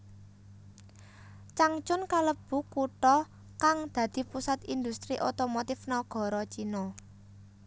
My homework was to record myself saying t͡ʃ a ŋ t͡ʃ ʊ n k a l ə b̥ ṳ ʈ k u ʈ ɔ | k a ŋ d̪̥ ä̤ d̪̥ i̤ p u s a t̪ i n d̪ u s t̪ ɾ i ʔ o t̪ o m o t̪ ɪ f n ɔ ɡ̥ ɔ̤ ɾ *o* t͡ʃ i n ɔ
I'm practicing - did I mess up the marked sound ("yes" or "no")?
yes